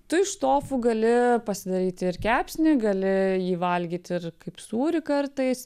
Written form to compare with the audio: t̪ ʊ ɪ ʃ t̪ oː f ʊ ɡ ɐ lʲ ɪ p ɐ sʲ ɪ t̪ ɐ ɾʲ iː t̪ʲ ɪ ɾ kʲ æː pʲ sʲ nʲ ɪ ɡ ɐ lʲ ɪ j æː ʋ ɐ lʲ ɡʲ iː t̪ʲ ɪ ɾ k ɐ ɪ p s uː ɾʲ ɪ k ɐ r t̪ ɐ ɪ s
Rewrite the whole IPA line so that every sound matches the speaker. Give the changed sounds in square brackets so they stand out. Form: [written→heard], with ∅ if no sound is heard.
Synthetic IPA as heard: t̪ ʊ ɪ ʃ t̪ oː f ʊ ɡ ɐ lʲ ɪ p ɐ sʲ ɪ [t̪→d̪] ɐ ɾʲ iː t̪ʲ ɪ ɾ kʲ æː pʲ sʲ nʲ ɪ ɡ ɐ lʲ ɪ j [æː→iː] ʋ ɐ lʲ ɡʲ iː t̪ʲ ɪ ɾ k ɐ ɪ p s uː ɾʲ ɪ k ɐ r t̪ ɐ ɪ s